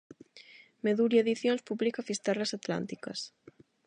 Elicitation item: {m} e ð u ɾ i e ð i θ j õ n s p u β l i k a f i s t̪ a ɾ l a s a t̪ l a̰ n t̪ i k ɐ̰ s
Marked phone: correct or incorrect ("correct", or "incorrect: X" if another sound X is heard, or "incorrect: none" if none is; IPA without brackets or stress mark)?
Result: correct